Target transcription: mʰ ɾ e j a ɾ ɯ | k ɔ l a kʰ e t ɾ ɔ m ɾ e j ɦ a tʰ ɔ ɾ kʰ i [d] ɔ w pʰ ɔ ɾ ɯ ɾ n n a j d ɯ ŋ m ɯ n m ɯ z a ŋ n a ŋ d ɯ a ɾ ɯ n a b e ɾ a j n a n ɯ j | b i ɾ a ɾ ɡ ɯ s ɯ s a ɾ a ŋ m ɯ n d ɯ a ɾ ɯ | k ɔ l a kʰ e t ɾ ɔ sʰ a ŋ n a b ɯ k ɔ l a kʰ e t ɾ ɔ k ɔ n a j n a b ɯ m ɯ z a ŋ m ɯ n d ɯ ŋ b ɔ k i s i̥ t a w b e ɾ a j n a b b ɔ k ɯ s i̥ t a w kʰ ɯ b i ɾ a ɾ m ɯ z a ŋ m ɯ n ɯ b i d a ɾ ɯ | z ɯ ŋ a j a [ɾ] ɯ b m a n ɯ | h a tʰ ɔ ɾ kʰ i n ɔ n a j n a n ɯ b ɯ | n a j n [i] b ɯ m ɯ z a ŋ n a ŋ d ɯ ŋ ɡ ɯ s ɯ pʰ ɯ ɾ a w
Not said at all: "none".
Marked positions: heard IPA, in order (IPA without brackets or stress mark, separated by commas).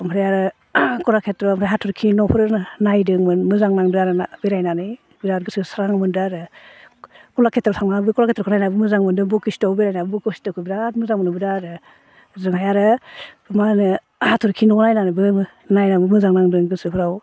n, ɾ, a